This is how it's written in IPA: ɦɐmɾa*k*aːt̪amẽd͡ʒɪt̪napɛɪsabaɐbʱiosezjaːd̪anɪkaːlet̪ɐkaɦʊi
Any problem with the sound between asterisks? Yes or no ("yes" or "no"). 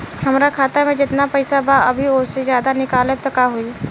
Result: yes